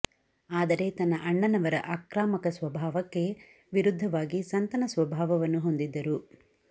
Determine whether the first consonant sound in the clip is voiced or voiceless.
voiced